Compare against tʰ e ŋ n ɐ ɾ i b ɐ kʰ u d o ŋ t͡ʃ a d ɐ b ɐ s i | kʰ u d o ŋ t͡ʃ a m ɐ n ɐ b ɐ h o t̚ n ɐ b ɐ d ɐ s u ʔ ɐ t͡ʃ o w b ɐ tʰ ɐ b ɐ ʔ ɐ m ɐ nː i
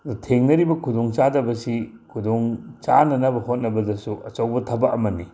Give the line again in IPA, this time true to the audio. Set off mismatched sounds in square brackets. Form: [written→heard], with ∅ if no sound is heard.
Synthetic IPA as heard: tʰ e ŋ n ɐ ɾ i b ɐ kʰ u d o ŋ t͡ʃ a d ɐ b ɐ s i | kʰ u d o ŋ t͡ʃ a [m→n] ɐ n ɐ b ɐ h o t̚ n ɐ b ɐ d ɐ s u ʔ ɐ t͡ʃ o w b ɐ tʰ ɐ b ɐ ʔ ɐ m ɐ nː i